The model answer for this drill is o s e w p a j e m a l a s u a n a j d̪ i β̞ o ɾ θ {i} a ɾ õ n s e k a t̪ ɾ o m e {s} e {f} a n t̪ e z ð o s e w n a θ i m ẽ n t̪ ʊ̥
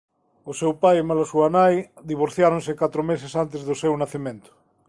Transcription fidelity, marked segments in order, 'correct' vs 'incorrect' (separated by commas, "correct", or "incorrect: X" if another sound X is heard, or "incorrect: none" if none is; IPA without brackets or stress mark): incorrect: j, correct, incorrect: s